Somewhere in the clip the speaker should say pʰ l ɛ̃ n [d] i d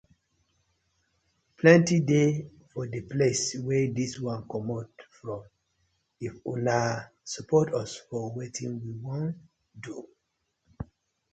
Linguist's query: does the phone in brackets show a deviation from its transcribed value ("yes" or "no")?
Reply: yes